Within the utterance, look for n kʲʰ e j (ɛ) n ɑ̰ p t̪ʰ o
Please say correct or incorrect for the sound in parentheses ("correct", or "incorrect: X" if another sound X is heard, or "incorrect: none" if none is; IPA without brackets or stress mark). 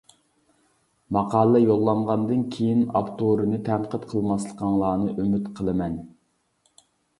incorrect: i